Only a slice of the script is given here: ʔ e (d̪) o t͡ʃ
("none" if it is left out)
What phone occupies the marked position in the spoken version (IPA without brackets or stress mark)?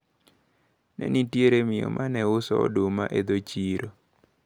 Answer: d̪